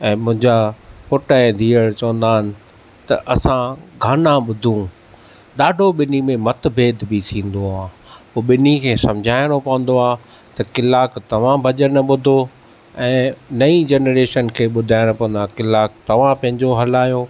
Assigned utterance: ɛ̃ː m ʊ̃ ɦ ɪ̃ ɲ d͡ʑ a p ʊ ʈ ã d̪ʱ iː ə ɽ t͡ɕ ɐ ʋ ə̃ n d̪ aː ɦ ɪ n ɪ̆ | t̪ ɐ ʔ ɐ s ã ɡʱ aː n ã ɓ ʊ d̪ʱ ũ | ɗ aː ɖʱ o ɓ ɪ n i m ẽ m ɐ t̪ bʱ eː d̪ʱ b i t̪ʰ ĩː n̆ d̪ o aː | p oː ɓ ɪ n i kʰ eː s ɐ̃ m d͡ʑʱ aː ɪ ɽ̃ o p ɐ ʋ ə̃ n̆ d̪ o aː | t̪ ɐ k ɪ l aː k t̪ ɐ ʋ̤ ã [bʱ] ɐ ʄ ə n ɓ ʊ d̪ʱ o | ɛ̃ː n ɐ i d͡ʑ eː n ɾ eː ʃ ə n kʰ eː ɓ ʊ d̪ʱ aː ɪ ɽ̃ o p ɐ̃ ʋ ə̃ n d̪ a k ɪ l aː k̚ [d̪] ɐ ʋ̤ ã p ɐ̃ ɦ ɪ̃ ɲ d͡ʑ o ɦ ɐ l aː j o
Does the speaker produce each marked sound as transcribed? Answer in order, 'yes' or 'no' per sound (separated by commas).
yes, no